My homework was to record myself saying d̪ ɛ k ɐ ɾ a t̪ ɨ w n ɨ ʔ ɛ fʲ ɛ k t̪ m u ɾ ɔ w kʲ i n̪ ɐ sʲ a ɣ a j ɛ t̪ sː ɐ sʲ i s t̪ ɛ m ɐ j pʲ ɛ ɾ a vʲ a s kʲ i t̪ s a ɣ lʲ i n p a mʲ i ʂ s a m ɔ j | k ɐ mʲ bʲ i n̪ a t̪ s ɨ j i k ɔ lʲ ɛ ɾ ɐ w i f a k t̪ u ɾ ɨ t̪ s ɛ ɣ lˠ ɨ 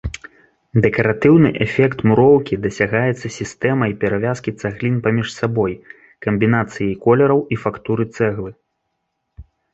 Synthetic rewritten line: d̪ ɛ k ɐ ɾ a t̪ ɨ w n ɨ ʔ ɛ fʲ ɛ k t̪ m u ɾ ɔ w kʲ i d̪ ɐ sʲ a ɣ a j ɛ t̪ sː ɐ sʲ i s t̪ ɛ m ɐ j pʲ ɛ ɾ a vʲ a s kʲ i t̪ s a ɣ lʲ i n p a mʲ i ʂ s a b ɔ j | k ɐ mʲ bʲ i n̪ a t̪ s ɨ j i k ɔ lʲ ɛ ɾ ɐ w i f a k t̪ u ɾ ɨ t̪ s ɛ ɣ lˠ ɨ